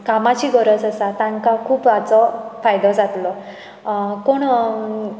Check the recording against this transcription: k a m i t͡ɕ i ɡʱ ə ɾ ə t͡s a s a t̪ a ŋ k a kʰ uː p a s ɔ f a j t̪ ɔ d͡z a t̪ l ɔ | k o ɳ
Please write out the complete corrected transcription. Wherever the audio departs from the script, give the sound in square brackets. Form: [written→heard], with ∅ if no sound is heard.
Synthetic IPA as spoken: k a m [i→a] t͡ɕ i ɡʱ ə ɾ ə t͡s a s a t̪ a ŋ k a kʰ uː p a [s→t͡s] ɔ f a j [t̪→d̪] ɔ d͡z a t̪ l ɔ | k o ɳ